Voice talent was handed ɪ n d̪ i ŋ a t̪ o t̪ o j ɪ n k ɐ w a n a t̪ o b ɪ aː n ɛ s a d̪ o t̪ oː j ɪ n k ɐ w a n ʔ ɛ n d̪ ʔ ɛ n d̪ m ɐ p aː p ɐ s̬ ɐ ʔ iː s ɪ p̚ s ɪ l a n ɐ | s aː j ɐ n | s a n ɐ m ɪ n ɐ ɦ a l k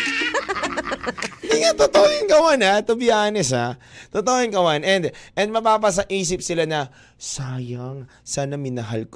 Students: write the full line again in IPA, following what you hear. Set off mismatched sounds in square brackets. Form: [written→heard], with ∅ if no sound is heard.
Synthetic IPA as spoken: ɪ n d̪ i ŋ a t̪ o t̪ o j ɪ n k ɐ w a n a t̪ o b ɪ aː n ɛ s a [d̪→t̪] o t̪ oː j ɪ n k ɐ w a n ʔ ɛ n d̪ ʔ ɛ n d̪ m ɐ p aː p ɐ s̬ ɐ ʔ iː s ɪ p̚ s ɪ l a n ɐ | s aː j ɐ [n→ŋ] | s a n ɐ m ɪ n ɐ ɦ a l k